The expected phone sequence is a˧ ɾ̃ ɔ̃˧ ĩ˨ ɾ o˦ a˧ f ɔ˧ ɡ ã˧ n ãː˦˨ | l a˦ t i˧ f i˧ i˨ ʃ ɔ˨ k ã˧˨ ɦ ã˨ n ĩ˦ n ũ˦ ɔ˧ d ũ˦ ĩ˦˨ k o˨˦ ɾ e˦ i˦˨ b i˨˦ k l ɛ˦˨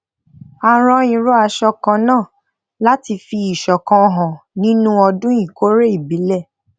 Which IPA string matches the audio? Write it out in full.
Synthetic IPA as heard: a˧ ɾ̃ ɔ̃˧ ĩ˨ ɾ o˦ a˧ ʃ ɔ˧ k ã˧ n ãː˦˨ | l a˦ t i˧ f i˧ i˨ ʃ ɔ˨ k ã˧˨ ɦ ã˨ n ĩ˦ n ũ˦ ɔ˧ d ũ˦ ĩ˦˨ k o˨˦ ɾ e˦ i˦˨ b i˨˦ l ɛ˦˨